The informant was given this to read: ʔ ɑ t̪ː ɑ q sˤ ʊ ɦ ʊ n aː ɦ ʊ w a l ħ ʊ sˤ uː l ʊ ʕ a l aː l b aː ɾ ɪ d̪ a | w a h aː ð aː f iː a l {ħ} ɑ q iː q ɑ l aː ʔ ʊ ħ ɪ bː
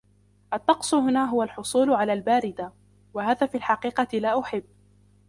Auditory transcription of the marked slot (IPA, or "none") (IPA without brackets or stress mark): ħ